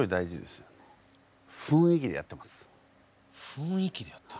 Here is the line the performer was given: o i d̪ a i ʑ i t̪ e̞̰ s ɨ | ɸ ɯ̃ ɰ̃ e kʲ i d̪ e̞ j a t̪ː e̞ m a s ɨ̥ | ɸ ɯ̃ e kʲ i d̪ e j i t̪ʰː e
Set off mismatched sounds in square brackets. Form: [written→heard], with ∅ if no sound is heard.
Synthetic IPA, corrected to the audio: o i d̪ a i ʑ i [t̪→d̪] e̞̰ s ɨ | ɸ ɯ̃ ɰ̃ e kʲ i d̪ e̞ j a t̪ː e̞ m a s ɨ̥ | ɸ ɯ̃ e kʲ i d̪ e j [i→a] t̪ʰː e